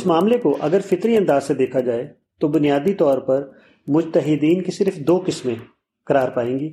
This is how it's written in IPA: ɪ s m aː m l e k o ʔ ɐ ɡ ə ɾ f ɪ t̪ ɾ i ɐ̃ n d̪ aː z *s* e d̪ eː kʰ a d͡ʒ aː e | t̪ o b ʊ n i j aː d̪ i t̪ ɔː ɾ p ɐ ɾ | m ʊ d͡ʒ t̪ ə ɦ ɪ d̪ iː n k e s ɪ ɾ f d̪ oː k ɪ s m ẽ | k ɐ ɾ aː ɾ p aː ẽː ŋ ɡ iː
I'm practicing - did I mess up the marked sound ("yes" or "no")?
no